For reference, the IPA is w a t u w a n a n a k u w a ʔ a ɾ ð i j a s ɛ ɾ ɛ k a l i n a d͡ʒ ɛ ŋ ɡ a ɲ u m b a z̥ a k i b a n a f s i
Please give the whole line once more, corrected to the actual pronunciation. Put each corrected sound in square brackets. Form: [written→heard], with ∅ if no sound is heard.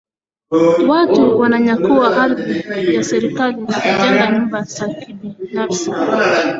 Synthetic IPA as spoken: w a t u w a n a [n→ɲ] a k u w a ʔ a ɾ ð i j a s ɛ ɾ [ɛ→i] k a l i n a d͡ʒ ɛ ŋ ɡ a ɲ u m b a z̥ a k i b [a→i] n a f s i